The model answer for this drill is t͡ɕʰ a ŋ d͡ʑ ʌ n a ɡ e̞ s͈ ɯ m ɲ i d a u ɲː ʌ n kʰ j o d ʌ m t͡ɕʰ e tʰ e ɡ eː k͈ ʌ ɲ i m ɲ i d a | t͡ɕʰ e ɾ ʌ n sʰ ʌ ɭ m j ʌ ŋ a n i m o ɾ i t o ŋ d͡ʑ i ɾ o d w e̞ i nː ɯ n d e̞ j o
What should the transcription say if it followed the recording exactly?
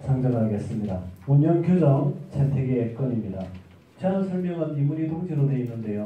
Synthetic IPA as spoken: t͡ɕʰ a ŋ d͡ʑ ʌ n a ɡ e̞ s͈ ɯ m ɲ i d a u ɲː ʌ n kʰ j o d͡ʑ ʌ ŋ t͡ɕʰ e tʰ e ɡ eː k͈ ʌ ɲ i m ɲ i d a | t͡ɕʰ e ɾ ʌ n sʰ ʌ ɭ m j ʌ ŋ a n i m u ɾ i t o ŋ d͡ʑ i ɾ o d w e̞ i nː ɯ n d e̞ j o